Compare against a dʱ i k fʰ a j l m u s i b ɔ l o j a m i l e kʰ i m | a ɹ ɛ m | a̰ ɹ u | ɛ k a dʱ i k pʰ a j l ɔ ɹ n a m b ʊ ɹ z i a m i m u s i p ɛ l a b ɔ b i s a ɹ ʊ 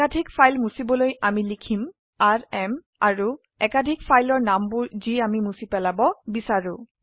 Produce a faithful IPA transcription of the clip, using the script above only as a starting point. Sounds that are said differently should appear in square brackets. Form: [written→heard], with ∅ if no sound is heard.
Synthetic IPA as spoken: a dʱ i k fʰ a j l m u s i b ɔ l o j a m i l [e→i] kʰ i m | a ɹ ɛ m | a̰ ɹ u | ɛ k a dʱ i k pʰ a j l ɔ ɹ n a m b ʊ ɹ z i a m i m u s i p ɛ l a b ɔ b i s a ɹ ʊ